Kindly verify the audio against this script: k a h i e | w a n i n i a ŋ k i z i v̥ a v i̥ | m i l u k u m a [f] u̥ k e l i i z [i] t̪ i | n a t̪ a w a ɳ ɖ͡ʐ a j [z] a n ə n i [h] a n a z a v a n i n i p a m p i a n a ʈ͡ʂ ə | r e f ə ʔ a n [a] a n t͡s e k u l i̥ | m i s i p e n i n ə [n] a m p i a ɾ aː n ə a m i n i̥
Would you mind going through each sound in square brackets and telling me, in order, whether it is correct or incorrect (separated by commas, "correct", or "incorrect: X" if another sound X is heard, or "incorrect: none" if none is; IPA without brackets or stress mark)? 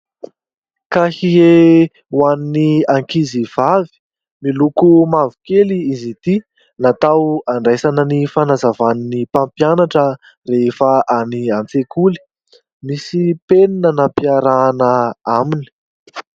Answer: incorrect: v, correct, incorrect: s, incorrect: f, incorrect: i, correct